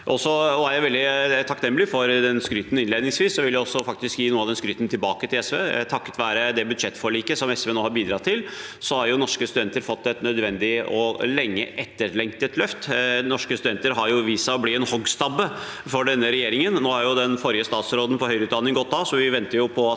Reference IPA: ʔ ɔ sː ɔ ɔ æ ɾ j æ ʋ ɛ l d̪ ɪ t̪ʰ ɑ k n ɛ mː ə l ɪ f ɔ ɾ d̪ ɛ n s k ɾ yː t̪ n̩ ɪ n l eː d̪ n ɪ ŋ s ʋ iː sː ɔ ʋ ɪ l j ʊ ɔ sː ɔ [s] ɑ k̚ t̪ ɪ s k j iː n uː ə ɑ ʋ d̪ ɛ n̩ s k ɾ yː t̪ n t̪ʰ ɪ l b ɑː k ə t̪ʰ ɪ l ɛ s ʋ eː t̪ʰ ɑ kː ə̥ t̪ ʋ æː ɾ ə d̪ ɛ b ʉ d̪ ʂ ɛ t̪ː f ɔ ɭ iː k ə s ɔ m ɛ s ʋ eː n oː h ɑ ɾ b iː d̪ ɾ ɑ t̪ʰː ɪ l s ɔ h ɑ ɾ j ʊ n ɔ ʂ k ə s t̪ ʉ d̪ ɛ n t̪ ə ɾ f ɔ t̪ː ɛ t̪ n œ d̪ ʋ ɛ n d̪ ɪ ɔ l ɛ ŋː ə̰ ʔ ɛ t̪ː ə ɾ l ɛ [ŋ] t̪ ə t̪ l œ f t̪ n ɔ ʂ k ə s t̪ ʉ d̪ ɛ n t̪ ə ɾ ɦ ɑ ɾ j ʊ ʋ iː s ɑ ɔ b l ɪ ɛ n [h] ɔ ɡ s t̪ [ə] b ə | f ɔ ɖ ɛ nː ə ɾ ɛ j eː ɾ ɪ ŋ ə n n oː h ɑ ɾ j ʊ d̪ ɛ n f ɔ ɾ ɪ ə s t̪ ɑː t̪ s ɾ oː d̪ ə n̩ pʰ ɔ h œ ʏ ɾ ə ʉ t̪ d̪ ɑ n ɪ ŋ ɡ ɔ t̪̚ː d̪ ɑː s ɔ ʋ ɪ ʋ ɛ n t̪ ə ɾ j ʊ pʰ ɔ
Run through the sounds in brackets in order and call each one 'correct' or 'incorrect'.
incorrect, correct, correct, incorrect

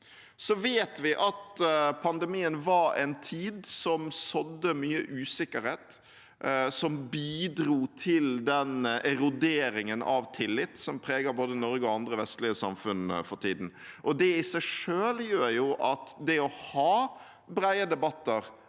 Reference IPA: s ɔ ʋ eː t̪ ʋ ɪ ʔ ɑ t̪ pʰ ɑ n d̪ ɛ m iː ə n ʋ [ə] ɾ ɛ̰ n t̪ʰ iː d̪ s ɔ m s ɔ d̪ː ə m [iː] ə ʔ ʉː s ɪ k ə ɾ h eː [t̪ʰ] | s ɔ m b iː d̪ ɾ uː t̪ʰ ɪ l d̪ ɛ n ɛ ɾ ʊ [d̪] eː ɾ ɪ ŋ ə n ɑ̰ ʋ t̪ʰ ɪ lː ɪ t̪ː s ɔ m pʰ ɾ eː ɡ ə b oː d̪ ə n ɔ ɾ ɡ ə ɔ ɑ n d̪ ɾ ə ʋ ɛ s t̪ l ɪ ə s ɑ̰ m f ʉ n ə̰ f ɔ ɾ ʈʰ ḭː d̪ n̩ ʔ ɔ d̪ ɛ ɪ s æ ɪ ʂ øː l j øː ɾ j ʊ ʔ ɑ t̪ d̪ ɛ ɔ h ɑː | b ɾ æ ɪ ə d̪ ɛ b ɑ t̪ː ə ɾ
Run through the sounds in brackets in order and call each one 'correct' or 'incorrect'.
incorrect, incorrect, incorrect, correct

